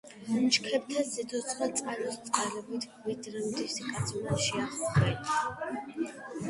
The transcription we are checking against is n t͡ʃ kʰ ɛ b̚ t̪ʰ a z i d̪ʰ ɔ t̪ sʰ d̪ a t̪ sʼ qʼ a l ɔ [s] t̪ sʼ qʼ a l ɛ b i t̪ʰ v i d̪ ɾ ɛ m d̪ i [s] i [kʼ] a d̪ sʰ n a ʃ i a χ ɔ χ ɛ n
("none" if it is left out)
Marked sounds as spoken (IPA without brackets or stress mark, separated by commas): s, s, kʼ